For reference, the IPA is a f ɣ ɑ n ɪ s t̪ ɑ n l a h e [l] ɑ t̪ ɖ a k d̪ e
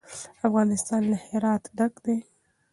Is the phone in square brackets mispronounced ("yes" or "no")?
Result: yes